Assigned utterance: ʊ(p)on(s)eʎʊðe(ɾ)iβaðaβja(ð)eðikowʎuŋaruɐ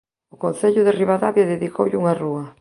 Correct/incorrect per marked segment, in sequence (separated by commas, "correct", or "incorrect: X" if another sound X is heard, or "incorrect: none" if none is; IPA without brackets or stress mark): incorrect: k, incorrect: θ, incorrect: r, correct